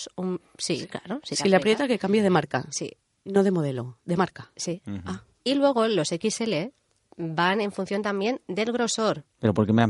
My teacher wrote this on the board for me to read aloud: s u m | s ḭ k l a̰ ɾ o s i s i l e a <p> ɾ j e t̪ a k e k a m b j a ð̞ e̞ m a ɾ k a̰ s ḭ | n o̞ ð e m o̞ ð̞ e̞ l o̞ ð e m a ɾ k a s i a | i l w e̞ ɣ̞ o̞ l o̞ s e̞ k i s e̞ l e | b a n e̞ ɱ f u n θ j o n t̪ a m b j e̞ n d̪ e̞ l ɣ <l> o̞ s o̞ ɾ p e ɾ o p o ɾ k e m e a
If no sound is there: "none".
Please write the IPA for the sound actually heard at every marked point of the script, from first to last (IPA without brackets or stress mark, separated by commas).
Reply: p, ɾ